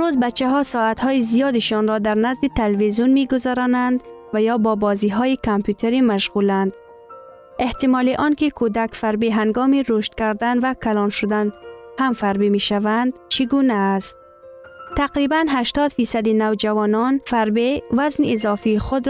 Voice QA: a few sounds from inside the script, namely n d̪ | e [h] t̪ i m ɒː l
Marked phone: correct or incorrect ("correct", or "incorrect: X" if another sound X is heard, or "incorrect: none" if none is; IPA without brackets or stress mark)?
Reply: correct